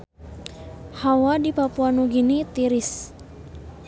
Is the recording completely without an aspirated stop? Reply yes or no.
yes